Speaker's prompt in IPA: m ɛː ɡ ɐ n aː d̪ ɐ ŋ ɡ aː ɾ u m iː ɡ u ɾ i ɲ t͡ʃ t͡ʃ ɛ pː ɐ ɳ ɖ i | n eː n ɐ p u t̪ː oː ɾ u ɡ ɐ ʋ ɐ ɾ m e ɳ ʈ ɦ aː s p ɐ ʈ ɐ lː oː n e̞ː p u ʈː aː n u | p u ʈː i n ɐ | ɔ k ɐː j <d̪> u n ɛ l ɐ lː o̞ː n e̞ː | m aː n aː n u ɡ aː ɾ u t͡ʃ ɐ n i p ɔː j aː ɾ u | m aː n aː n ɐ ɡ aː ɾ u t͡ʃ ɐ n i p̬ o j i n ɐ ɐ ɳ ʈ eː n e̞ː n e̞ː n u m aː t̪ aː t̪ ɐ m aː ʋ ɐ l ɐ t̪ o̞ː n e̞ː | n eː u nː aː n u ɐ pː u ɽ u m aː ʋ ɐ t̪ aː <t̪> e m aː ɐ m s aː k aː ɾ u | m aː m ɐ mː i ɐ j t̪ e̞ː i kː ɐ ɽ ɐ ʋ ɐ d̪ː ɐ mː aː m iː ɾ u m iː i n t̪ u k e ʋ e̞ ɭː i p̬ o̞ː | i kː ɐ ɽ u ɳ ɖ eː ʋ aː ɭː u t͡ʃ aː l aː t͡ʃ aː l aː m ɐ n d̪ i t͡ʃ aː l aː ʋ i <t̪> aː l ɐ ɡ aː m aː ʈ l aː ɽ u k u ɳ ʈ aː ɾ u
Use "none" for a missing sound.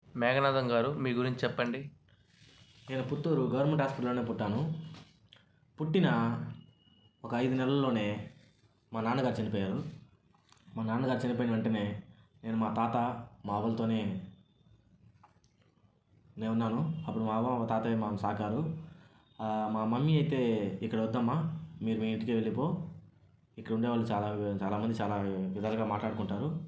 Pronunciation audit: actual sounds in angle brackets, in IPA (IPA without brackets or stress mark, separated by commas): d̪, t̪, d̪